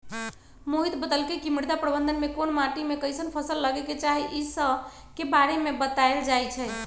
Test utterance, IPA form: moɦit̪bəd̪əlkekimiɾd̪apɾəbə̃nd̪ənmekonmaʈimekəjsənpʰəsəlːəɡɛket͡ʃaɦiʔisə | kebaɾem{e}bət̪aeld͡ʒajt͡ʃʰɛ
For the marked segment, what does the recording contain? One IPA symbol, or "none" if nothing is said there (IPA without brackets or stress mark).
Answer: e